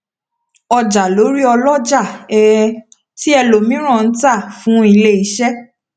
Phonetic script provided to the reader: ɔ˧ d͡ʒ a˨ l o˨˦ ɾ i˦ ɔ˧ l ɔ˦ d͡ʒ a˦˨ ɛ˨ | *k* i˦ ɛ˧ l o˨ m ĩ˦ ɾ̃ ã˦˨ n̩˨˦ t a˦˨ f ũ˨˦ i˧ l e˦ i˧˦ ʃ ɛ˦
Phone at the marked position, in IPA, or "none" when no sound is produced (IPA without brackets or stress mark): t